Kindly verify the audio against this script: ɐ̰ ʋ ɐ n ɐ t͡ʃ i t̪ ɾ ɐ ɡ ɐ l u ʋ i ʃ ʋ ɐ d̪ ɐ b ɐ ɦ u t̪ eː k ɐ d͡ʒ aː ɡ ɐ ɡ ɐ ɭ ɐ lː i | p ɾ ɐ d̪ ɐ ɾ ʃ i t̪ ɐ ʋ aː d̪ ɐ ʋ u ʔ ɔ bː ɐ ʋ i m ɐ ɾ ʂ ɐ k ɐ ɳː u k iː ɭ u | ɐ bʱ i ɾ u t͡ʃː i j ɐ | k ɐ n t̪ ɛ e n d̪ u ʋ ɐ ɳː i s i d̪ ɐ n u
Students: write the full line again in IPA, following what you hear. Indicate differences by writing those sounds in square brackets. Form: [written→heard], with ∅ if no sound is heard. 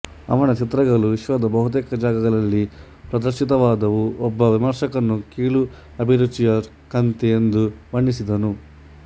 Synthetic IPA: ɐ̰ ʋ ɐ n ɐ t͡ʃ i t̪ ɾ ɐ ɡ ɐ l u ʋ i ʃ ʋ ɐ d̪ ɐ b ɐ ɦ u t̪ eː k ɐ d͡ʒ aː ɡ ɐ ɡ ɐ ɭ ɐ lː i | p ɾ ɐ d̪ ɐ ɾ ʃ i t̪ ɐ ʋ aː d̪ ɐ ʋ u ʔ ɔ bː ɐ ʋ i m ɐ ɾ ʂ ɐ k ɐ [ɳː→nː] u k iː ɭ u | ɐ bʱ i ɾ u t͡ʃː i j ɐ | k ɐ n t̪ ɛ e n d̪ u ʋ ɐ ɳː i s i d̪ ɐ n u